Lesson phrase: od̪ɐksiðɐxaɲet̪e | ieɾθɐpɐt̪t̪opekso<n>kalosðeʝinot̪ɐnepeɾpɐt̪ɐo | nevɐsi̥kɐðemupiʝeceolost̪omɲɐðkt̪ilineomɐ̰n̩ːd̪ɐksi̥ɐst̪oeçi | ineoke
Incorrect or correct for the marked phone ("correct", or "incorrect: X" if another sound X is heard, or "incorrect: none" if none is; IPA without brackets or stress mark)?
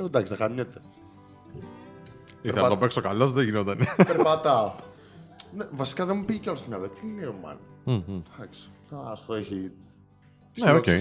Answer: incorrect: none